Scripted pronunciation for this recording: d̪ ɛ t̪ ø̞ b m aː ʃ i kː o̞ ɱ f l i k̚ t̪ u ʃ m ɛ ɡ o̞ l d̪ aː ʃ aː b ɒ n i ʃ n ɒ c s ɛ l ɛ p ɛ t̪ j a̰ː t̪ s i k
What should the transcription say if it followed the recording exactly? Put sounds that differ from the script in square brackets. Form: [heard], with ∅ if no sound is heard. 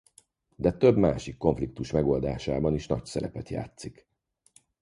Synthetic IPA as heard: d̪ ɛ t̪ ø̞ b m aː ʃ i kː o̞ ɱ f l i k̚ t̪ u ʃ m ɛ ɡ o̞ l d̪ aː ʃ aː b ɒ n i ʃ n ɒ c s ɛ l ɛ p ɛ t̪ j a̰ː t̪ s i k